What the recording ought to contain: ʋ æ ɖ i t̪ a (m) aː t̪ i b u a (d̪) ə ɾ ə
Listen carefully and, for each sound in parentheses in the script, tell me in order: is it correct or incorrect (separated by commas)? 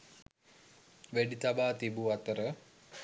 incorrect, incorrect